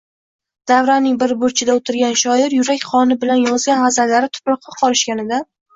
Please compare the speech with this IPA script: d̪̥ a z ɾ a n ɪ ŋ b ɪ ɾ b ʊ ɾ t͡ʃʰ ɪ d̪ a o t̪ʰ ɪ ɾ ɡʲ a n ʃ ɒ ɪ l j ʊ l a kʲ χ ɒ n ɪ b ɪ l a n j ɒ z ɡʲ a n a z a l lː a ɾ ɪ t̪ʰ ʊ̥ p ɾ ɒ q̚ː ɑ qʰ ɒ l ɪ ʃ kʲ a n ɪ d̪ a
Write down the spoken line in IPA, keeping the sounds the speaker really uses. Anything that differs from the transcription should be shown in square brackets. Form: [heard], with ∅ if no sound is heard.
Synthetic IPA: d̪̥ a [v] ɾ a n ɪ ŋ b ɪ ɾ b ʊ ɾ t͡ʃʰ ɪ d̪ a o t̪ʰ ɪ ɾ ɡʲ a n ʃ ɒ ɪ [ɾ] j ʊ [ɾ] a kʲ χ ɒ n ɪ b ɪ l a n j ɒ z ɡʲ a n a z a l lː a ɾ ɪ t̪ʰ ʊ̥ p ɾ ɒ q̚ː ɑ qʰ ɒ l ɪ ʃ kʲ a n ɪ d̪ a